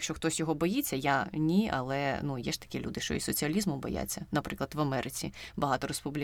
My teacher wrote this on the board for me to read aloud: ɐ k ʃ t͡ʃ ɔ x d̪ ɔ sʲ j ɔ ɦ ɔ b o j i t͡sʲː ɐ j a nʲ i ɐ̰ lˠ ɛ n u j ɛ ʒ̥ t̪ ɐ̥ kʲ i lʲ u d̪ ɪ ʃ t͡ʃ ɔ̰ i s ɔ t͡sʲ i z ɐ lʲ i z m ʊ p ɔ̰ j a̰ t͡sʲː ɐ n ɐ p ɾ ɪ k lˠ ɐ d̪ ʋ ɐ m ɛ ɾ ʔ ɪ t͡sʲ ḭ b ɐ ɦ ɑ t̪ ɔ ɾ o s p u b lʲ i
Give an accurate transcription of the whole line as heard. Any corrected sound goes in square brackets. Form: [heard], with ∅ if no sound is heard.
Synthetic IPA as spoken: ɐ k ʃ t͡ʃ ɔ x [t̪] ɔ sʲ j ɔ ɦ ɔ b [ɔ] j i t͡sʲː ɐ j a nʲ i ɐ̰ lˠ ɛ n u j ɛ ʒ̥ t̪ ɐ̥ kʲ i lʲ u d̪ ɪ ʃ t͡ʃ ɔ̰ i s ɔ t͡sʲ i [∅] ɐ lʲ i z m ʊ [b] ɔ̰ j a̰ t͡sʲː ɐ n ɐ p ɾ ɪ k lˠ ɐ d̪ ʋ ɐ m ɛ ɾ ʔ ɪ t͡sʲ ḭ b ɐ ɦ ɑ t̪ ɔ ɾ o s p u b lʲ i